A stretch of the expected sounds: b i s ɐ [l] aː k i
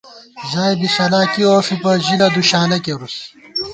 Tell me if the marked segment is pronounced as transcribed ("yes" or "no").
yes